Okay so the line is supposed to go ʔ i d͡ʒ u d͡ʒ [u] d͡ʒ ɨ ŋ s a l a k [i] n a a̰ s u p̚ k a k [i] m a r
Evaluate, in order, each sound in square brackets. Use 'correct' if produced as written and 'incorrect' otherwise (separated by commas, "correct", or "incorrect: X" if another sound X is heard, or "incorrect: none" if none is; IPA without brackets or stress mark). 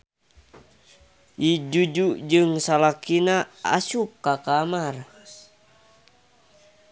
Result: correct, correct, incorrect: a